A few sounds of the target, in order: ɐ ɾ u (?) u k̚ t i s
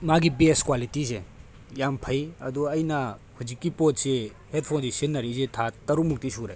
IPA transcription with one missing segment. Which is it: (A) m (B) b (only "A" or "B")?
A